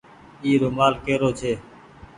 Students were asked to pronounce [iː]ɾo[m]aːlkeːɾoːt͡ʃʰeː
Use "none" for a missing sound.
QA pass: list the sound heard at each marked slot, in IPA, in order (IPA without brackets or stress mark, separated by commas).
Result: iː, m